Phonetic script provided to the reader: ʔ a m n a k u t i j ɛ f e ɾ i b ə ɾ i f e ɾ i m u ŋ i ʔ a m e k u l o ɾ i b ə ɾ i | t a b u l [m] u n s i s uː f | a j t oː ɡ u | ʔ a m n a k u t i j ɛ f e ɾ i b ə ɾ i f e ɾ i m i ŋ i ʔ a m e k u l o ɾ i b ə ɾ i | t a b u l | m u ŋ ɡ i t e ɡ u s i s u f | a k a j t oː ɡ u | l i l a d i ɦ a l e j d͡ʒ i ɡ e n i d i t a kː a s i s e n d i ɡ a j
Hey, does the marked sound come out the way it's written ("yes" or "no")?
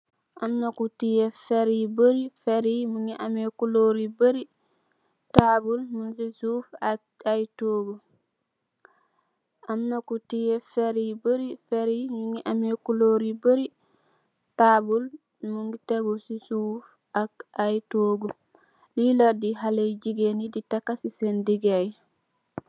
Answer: yes